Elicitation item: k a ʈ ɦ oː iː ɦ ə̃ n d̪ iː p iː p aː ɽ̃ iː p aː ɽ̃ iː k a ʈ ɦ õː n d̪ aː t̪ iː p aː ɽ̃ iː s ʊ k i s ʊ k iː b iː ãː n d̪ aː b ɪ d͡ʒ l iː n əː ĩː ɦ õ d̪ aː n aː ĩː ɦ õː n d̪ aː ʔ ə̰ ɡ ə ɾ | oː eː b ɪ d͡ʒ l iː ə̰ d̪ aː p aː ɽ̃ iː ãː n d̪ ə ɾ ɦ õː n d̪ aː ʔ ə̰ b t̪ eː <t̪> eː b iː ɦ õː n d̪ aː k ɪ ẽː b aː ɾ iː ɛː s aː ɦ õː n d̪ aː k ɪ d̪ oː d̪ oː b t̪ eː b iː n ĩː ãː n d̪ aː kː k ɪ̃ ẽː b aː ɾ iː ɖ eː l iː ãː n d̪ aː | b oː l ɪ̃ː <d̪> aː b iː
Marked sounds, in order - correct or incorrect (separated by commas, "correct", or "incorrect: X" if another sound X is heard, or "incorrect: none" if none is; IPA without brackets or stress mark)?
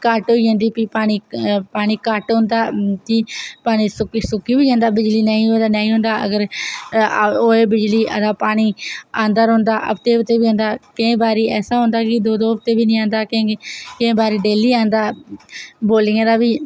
correct, correct